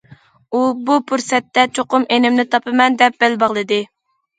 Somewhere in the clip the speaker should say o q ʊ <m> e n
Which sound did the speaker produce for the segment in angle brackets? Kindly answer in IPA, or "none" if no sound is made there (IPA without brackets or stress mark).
m